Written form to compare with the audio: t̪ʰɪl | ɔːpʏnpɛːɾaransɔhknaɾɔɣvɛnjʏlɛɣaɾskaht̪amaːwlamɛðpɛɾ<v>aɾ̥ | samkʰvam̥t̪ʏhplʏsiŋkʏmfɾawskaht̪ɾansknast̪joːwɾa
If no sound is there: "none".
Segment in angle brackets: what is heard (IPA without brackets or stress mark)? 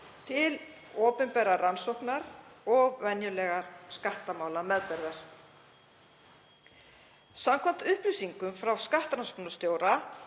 ð